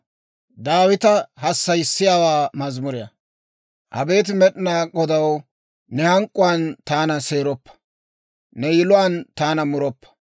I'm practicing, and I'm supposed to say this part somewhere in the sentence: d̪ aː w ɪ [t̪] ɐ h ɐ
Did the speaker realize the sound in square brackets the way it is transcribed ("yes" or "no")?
yes